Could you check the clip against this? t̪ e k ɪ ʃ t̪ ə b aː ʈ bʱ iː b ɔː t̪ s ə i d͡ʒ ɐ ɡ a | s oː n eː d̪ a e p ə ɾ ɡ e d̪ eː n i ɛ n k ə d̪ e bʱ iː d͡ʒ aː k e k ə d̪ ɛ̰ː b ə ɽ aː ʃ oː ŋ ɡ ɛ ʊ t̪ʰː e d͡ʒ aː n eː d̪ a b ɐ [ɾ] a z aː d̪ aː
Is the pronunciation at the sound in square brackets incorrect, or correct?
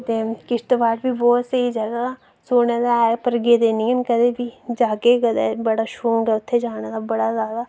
incorrect